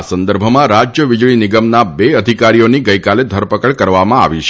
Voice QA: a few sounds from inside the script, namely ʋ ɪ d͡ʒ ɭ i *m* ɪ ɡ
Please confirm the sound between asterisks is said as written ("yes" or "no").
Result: no